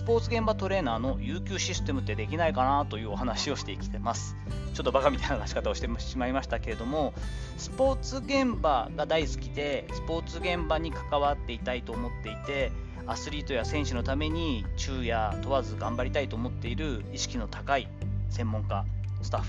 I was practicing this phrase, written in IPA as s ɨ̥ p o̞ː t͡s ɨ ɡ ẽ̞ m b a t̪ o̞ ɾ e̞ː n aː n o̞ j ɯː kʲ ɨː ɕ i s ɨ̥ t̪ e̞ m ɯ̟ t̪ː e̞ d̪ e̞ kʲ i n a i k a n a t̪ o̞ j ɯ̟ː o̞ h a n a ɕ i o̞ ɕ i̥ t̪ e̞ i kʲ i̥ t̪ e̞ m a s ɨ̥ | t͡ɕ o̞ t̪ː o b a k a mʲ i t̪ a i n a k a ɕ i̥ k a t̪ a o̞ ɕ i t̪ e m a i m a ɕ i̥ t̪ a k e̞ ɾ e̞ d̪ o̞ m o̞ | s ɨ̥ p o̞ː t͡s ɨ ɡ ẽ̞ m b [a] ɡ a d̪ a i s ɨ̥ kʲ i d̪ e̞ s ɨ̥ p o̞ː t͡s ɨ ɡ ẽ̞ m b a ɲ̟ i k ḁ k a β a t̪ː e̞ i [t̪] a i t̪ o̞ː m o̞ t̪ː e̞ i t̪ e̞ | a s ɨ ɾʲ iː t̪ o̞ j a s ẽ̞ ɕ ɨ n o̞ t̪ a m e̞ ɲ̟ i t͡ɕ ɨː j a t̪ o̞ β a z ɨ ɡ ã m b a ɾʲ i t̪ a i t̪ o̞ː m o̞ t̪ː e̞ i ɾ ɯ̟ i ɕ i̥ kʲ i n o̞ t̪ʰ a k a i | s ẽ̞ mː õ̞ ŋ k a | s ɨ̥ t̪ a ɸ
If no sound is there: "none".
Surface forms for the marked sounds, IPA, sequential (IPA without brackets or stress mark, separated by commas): a, t̪